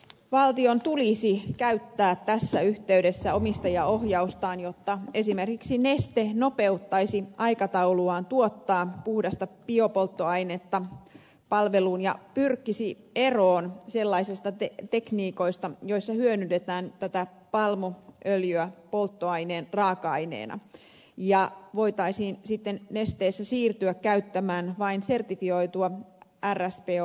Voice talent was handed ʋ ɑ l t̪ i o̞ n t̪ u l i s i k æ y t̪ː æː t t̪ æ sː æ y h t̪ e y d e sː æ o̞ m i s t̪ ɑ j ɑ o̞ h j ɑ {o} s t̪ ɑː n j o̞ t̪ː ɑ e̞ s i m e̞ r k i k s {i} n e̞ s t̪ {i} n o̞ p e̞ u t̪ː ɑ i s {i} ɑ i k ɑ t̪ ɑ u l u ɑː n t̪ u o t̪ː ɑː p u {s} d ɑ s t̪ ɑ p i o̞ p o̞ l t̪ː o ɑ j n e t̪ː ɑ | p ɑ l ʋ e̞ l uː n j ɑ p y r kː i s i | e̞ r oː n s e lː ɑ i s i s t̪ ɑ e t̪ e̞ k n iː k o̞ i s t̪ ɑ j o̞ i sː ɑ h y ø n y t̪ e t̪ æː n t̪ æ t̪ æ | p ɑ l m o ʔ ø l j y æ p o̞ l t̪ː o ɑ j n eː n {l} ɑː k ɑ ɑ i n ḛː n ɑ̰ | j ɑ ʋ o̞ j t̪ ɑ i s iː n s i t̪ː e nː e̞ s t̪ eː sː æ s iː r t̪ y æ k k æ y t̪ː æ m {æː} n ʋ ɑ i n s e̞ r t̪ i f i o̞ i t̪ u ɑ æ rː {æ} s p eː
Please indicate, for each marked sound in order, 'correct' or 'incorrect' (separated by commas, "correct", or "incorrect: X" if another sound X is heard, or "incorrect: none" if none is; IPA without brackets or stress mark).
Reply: incorrect: u, correct, incorrect: e, correct, incorrect: h, incorrect: r, correct, correct